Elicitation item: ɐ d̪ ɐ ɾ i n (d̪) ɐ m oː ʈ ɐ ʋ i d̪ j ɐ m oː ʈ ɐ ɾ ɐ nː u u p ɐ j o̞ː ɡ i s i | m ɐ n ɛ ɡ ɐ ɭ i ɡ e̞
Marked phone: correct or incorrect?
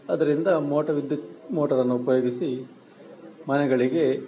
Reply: correct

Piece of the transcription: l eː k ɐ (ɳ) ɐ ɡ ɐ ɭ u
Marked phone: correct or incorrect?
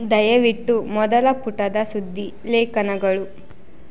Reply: incorrect: n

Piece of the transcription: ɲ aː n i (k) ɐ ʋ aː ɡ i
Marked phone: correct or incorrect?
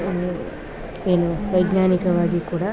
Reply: correct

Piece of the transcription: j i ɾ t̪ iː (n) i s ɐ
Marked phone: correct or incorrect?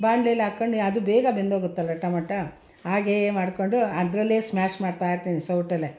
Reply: correct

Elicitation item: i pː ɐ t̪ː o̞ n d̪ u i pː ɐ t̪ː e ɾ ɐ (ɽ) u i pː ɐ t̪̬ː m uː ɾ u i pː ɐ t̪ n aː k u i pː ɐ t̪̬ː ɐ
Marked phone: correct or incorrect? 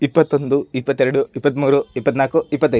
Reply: correct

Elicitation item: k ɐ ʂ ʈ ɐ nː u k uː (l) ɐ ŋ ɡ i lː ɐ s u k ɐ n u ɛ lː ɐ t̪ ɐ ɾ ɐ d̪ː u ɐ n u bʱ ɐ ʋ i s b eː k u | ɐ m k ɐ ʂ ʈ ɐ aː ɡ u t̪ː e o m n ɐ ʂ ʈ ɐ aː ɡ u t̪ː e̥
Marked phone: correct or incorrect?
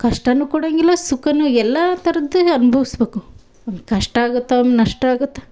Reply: incorrect: ɽ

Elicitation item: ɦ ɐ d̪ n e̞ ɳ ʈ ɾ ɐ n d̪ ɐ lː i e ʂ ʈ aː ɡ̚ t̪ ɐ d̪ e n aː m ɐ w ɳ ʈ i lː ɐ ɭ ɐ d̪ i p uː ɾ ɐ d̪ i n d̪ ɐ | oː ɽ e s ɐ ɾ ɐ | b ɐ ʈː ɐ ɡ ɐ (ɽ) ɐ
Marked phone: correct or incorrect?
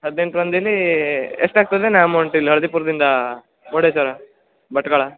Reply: incorrect: ɭ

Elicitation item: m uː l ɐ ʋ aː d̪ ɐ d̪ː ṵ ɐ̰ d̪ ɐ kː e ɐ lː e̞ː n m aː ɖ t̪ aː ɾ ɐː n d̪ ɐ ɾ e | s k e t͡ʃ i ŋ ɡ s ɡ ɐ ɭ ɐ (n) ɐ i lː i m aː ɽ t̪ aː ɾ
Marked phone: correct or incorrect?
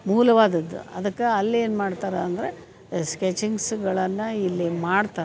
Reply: incorrect: nː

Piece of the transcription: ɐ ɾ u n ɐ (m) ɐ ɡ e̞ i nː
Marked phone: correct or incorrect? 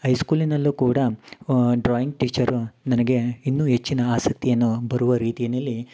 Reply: incorrect: n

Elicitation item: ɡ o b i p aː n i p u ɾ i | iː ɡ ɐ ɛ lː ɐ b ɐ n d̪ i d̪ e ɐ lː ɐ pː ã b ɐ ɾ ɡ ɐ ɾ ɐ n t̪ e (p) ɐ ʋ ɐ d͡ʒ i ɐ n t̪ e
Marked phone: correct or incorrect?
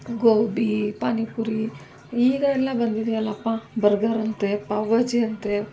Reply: correct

